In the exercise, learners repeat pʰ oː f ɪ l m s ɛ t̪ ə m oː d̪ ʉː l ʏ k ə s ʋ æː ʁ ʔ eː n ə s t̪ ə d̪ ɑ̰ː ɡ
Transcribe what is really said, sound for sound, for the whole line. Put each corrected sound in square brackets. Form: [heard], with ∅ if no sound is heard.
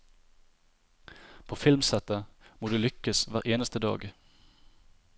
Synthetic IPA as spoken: pʰ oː f ɪ l m s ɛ t̪ ə m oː d̪ ʉː l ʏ k ə s ʋ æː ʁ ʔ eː n ə s t̪ ə d̪ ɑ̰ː ɡ